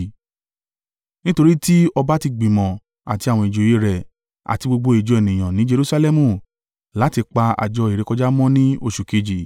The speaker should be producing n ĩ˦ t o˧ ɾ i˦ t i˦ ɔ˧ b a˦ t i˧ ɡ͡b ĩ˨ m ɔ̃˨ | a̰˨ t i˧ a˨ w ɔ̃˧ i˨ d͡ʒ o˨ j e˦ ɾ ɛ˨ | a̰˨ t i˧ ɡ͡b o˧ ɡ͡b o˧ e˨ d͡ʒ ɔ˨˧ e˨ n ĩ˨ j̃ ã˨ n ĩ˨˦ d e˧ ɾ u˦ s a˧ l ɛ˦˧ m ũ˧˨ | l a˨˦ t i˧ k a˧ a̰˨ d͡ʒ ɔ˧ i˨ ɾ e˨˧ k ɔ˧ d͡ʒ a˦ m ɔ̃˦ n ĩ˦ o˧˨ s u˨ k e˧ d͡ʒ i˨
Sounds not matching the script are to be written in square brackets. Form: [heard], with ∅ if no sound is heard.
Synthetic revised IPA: n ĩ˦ t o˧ ɾ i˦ t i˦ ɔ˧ b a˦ t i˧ ɡ͡b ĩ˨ m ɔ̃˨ | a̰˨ t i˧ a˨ w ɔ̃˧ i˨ d͡ʒ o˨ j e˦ ɾ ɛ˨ | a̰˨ t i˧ ɡ͡b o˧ ɡ͡b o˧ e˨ d͡ʒ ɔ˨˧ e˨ n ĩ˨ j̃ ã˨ n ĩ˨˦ [d͡ʒ] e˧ ɾ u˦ s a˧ l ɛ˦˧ m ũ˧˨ | l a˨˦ t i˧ [k͡p] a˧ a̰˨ d͡ʒ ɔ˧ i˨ ɾ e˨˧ k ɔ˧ d͡ʒ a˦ m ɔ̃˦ n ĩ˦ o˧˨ [ʃ] u˨ k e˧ d͡ʒ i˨

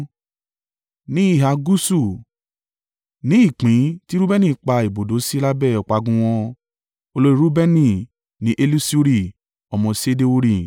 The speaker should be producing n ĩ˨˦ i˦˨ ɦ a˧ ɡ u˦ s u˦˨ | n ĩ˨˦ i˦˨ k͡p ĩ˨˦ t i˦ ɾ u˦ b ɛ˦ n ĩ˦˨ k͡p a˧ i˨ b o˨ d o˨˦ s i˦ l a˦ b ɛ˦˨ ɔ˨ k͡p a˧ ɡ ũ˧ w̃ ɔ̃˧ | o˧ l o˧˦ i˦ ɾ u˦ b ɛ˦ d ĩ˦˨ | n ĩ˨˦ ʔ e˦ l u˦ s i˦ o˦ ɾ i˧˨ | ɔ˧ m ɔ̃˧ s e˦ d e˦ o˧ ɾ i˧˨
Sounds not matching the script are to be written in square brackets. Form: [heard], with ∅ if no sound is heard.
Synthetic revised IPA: n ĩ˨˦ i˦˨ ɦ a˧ ɡ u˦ s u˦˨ | n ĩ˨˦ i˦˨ k͡p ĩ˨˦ t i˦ ɾ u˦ b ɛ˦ n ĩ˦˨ k͡p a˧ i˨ b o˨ d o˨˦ s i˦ l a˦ b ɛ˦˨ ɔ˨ k͡p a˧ ɡ ũ˧ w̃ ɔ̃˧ | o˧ l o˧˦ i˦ ɾ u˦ b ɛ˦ [n] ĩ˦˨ | n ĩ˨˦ ʔ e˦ l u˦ s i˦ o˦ ɾ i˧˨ | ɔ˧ m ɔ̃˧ s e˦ d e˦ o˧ ɾ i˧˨

